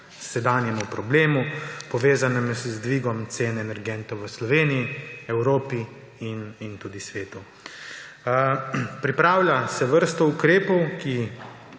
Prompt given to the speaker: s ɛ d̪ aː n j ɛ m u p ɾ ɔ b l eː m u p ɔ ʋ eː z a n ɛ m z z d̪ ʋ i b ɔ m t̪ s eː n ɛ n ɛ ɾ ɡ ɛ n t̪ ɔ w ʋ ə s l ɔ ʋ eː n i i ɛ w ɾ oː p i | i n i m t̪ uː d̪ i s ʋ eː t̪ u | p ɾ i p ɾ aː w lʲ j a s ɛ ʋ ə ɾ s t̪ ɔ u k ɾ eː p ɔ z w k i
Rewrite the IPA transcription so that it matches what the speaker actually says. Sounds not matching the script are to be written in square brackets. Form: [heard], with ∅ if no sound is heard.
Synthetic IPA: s ɛ d̪ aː n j ɛ m u p ɾ ɔ b l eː m u p ɔ ʋ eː z a n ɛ m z z d̪ ʋ i [ɡ] ɔ m t̪ s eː n ɛ n ɛ ɾ ɡ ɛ n t̪ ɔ w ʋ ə s l ɔ ʋ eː n i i ɛ w ɾ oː p i | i n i [n] t̪ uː d̪ i s ʋ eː t̪ u | p ɾ i p ɾ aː w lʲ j a s ɛ ʋ ə ɾ s t̪ ɔ u k ɾ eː p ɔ [∅] w k i